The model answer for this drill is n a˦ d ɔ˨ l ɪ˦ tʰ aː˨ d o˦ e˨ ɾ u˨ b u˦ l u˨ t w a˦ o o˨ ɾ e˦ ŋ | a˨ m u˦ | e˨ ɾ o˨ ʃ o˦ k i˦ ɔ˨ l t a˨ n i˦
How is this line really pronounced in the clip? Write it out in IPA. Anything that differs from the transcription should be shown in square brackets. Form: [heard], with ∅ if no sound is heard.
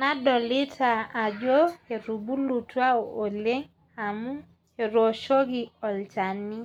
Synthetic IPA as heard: n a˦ d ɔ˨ l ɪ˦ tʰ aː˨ [d͡ʒ] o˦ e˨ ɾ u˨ b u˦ l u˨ t w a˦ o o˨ [l] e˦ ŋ | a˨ m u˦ | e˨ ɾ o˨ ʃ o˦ [ɡ] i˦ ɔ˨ l [t͡ʃ] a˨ n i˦

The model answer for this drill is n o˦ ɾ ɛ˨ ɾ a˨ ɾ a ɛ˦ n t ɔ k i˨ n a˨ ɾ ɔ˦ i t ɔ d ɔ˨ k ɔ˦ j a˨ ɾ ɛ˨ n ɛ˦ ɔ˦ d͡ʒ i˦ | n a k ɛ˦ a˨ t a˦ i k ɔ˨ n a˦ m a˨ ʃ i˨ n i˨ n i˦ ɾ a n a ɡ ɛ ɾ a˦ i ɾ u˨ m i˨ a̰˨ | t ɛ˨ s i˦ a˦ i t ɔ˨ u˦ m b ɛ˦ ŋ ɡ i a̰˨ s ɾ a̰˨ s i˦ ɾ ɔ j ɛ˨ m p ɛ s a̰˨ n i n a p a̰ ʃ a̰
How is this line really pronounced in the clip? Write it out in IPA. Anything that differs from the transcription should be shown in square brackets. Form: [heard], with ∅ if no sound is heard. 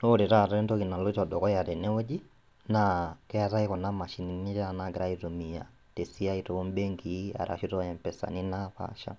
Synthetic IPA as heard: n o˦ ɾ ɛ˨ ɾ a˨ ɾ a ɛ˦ n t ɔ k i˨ n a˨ [l] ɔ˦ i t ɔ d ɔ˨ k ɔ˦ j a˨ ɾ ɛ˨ n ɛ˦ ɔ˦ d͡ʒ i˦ | n a k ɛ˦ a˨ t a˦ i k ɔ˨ n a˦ m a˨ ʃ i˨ n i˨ n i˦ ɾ a n a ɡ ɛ ɾ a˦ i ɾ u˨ m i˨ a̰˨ | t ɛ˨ s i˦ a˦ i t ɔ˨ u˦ m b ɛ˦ ŋ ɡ i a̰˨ [∅] ɾ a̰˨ [ʃ] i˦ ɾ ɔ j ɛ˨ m p ɛ s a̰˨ n i n a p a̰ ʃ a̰

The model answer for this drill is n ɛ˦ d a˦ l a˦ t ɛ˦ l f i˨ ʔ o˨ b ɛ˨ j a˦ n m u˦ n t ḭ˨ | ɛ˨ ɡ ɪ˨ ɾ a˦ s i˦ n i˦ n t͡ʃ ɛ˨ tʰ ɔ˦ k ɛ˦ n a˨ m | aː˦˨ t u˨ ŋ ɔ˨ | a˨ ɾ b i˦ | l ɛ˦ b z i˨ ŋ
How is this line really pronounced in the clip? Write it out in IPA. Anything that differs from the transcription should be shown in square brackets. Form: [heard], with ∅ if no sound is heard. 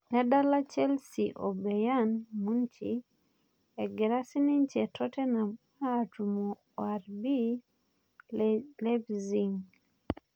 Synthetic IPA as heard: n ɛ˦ d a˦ l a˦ [t͡ʃ] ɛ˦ l [s] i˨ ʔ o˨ b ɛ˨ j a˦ n m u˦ n [t͡ʃ] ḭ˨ | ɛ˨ ɡ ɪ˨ ɾ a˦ s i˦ n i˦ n t͡ʃ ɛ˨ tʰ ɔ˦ [t] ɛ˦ n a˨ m | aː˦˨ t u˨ [m] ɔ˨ | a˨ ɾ b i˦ | l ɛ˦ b z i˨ ŋ

